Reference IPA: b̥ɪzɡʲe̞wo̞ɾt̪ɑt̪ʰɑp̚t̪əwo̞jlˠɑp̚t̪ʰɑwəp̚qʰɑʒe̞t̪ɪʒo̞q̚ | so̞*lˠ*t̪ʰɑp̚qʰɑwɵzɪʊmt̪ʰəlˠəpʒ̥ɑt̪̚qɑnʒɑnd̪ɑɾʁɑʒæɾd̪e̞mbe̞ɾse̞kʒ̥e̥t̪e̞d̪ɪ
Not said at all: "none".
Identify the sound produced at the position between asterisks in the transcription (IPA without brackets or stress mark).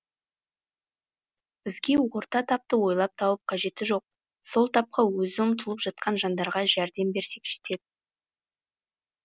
lˠ